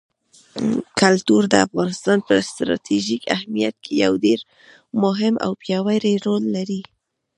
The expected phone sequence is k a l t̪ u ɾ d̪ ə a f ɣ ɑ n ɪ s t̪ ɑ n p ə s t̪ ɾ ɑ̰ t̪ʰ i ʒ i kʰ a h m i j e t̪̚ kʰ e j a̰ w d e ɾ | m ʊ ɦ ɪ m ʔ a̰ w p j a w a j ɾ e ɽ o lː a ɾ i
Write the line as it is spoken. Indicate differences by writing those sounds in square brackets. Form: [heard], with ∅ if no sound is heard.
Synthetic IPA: k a l t̪ u ɾ d̪ ə a f ɣ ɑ n ɪ s t̪ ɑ n p ə s t̪ ɾ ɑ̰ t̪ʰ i ʒ i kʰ a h m i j [a] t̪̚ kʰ e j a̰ w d e ɾ | m ʊ ɦ ɪ m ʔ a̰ w p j [ɑ] w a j ɾ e [ɾ] o lː a ɾ i